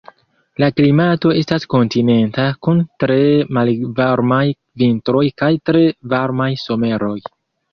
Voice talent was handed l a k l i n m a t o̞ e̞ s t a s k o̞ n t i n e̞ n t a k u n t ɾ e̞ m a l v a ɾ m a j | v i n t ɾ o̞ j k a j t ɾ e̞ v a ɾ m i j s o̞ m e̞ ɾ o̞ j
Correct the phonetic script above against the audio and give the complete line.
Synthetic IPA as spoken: l a k l i m a t o̞ e̞ s t a s k o̞ n t i n e̞ n t a k u n t ɾ e̞ m a l v a ɾ m a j | v i n t ɾ o̞ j k a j t ɾ e̞ v a ɾ m a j s o̞ m e̞ ɾ o̞ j